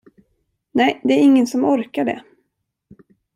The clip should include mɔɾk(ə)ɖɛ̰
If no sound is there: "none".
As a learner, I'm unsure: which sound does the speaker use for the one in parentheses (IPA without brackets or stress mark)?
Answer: a